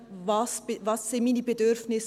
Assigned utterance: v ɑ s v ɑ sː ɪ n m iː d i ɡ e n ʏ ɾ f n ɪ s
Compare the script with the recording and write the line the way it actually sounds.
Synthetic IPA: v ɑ s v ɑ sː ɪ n m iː n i b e d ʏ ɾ f n ɪ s

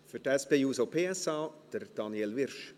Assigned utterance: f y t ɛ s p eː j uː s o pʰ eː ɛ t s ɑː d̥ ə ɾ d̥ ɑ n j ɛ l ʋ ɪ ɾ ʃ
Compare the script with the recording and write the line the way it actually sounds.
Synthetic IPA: f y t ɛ s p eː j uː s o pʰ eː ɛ s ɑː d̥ ə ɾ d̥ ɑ n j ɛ l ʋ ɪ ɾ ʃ

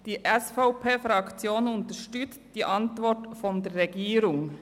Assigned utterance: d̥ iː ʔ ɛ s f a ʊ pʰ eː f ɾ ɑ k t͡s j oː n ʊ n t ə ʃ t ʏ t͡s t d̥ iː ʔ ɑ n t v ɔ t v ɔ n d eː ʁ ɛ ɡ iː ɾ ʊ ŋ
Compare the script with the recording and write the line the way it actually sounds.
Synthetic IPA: d̥ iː ʔ ɛ s f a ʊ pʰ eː f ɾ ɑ k t͡s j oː n ʊ n t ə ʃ t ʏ t͡s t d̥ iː ʔ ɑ n t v ɔ t f ɔ n d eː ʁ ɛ ɡ iː ɾ ʊ ŋ

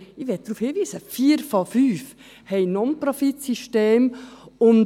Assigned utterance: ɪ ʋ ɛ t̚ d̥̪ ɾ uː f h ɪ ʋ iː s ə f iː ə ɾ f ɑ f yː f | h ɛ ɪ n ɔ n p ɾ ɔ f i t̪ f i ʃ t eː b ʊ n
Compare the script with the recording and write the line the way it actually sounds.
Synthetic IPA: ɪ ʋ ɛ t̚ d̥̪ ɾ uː f h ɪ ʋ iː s ə f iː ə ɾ f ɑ f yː f | h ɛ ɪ n ɔ n p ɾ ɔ f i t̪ s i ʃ t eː m ʊ n

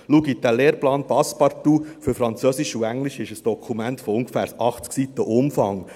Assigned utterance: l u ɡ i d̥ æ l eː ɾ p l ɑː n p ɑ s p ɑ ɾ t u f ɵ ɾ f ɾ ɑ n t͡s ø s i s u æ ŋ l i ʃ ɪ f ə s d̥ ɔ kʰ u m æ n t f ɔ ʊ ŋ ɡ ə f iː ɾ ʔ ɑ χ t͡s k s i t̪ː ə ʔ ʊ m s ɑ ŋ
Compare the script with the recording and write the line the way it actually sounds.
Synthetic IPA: l u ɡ i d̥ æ l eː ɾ p l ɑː n p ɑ s p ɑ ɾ t u f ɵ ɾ f ɾ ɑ n t͡s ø s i ʃ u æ ŋ l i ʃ ɪ ʃ ə s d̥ ɔ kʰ u m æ n t f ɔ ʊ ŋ ɡ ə f æː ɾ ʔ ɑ χ t͡s k s i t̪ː ə ʔ ʊ m f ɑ ŋ

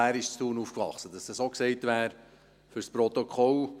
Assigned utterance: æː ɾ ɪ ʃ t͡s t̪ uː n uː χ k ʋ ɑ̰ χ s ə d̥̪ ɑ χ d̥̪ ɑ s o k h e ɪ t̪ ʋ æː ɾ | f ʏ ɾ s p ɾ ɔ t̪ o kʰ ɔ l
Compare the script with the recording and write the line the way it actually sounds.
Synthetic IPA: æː ɾ ɪ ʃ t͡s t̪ uː n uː f k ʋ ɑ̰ χ s ə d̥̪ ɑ s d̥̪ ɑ s o k s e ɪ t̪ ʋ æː ɾ | f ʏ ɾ s p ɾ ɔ t̪ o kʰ ɔ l

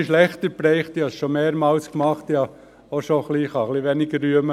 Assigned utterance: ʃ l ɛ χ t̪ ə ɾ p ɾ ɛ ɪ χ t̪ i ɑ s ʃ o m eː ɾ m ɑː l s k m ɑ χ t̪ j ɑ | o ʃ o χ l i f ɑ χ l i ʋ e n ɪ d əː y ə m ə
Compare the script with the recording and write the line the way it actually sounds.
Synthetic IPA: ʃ l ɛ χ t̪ ə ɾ p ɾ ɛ ɪ χ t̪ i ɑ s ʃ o m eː ɾ m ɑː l s k m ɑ χ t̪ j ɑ | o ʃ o χ l i χ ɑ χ l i ʋ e n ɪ ɡ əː y ə m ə

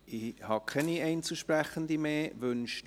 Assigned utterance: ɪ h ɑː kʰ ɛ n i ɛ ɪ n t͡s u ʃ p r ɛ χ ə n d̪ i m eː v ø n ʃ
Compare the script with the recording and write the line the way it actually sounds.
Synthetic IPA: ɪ h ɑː kʰ ɛ n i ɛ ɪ n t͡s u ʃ p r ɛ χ ə n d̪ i m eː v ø n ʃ

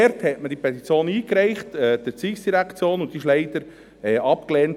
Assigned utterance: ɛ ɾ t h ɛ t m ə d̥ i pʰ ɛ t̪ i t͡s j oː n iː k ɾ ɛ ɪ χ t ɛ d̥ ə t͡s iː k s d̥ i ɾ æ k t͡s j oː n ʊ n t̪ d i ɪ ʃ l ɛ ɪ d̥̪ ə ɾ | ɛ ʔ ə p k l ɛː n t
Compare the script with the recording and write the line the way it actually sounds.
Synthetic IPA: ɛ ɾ t h ɛ t m ə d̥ i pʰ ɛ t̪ i t͡s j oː n iː k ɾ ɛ ɪ χ t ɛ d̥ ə t͡s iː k s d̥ i ɾ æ k t͡s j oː n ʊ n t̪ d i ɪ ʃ l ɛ ɪ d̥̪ ə ɾ | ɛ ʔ ɑ p k l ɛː n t

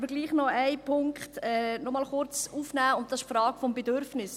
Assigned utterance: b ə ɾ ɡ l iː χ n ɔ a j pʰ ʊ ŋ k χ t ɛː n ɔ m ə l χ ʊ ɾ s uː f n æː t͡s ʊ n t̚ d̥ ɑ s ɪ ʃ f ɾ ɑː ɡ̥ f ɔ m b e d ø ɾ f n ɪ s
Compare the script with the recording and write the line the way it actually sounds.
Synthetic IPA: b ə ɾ ɡ l iː χ n ɔ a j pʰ ʊ ŋ k χ t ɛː n ɔ m ɑ l χ ʊ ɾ t͡s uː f n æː ʊ n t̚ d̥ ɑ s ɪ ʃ f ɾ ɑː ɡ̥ f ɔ m b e d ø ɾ f n ɪ s

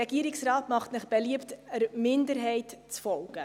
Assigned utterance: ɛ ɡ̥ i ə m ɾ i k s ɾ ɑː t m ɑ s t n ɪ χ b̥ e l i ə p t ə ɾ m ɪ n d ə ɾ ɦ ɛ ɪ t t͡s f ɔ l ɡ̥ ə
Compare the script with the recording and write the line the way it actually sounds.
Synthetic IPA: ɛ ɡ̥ i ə ɾ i k s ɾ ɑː t m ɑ χ t n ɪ χ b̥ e l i ə p t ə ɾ m ɪ n d ə ɾ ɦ ɛ ɪ t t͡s f ɔ l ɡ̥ ə

